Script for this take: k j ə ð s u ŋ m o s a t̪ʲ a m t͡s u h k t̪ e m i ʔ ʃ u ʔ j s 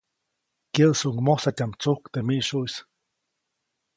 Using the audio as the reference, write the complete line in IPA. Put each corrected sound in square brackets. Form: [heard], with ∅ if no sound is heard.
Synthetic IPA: k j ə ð s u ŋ m o s a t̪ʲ a m t͡s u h k t̪ e m i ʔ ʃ u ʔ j s